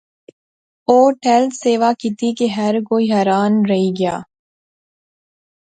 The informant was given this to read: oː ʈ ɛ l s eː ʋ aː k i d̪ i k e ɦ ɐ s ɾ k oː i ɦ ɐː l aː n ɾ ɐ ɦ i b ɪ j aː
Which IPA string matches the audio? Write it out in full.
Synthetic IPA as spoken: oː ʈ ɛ l s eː ʋ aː k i t̪ i k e ɦ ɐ ɾ k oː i ɦ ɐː ɾ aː n ɾ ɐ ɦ i ɡ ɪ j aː

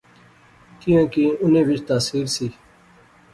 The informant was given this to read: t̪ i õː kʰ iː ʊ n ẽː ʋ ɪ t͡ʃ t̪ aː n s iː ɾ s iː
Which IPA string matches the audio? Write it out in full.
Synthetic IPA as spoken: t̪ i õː k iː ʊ n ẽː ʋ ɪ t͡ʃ t̪ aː s iː ɾ s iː

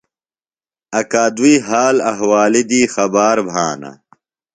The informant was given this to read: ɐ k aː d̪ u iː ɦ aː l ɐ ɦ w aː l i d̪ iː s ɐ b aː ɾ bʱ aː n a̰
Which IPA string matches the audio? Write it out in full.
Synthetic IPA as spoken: ɐ k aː d̪ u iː ɦ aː l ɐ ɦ w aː l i d̪ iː x ɐ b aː ɾ bʱ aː n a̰

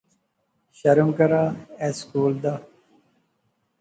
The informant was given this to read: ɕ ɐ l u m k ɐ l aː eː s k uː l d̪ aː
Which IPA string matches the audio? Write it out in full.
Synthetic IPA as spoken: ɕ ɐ ɾ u m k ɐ ɾ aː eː s k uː l d̪ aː

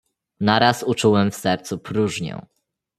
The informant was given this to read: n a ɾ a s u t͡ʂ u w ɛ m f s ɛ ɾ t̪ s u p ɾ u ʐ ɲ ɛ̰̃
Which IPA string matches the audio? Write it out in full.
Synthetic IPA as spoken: n a ɾ a s u t͡ʂ u w ɛ m f s ɛ ɾ t̪ s u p ɾ u ʐ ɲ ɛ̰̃

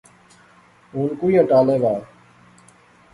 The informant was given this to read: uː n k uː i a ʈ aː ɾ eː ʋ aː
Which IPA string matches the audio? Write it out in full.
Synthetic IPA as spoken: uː n k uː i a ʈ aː l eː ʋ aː

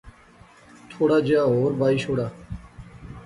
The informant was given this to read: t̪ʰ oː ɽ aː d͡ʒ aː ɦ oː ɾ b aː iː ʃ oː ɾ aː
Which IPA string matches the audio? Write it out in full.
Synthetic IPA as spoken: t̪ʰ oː ɽ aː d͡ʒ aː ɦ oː ɾ b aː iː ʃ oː ɽ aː

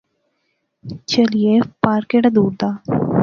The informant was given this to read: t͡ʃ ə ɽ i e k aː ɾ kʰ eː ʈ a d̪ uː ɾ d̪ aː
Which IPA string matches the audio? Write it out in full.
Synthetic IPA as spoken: t͡ʃ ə l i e p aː ɾ k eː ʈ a d̪ uː ɾ d̪ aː

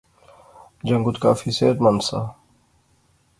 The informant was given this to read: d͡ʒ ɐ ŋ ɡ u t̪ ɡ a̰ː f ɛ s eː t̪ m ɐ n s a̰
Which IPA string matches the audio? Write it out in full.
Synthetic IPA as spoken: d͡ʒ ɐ ŋ ɡ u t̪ k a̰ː f i s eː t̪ m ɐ n s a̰

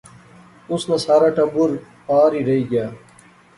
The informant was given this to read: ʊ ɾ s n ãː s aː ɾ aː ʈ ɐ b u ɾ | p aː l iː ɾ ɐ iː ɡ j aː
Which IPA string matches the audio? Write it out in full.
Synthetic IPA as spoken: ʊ s n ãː s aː ɾ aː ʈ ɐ b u ɾ | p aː ɾ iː ɾ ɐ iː ɡ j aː

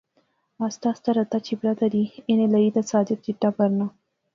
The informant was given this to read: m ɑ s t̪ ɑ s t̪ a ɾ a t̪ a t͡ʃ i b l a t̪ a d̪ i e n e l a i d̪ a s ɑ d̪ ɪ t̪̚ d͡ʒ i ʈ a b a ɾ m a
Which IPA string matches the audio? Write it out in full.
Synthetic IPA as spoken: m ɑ s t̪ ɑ s t̪ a ɾ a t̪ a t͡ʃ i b ɾ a t̪ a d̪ i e n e l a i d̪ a s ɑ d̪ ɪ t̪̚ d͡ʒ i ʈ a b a ɾ n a

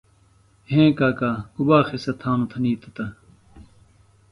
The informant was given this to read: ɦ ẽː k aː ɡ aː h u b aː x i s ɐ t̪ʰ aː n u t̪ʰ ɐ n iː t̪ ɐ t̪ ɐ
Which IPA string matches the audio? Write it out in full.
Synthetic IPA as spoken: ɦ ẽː k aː k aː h u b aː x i s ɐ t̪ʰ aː n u t̪ʰ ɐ n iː t̪ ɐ t̪ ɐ

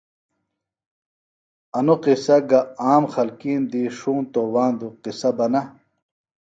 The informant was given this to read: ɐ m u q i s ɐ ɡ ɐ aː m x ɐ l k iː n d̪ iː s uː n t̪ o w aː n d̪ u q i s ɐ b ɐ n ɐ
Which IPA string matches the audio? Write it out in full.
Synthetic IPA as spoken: ɐ n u q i s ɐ ɡ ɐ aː m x ɐ l k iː n d̪ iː ʂ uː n t̪ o w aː n d̪ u q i s ɐ b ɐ n ɐ

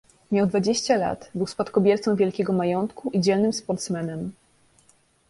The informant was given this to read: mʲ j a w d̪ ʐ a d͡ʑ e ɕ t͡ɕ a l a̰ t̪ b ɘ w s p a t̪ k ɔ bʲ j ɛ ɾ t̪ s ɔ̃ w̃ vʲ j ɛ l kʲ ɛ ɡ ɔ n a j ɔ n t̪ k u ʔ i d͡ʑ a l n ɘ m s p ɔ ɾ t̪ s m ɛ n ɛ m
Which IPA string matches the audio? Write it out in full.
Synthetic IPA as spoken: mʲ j a w d̪ v a d͡ʑ e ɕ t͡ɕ a l a̰ t̪ b ɘ w s p a t̪ k ɔ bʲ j ɛ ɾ t̪ s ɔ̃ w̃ vʲ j ɛ l kʲ ɛ ɡ ɔ m a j ɔ n t̪ k u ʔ i d͡ʑ ɛ l n ɘ m s p ɔ ɾ t̪ s m ɛ n ɛ m

